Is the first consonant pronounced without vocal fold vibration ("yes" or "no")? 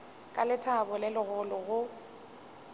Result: yes